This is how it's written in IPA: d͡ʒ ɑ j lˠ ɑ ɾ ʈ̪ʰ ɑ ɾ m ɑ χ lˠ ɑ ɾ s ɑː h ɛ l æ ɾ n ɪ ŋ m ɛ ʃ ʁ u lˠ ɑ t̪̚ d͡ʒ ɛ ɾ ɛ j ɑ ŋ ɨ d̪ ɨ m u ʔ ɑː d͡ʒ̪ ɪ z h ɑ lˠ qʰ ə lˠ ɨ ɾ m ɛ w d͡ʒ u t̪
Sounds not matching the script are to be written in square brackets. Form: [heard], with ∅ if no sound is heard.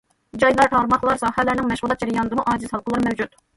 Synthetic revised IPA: d͡ʒ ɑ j lˠ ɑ ɾ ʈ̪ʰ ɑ ɾ m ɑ χ lˠ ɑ ɾ s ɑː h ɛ l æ ɾ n ɪ ŋ m ɛ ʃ ʁ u lˠ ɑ t̪̚ d͡ʒ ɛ ɾ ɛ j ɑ [n] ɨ d̪ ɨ m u ʔ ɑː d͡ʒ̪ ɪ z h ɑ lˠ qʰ ə lˠ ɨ ɾ m ɛ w d͡ʒ u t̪